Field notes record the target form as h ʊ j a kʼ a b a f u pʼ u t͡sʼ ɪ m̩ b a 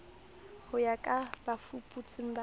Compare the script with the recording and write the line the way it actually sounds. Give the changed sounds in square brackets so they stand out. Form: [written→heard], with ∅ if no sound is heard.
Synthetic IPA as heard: h ʊ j a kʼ a b a f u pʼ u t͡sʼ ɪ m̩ b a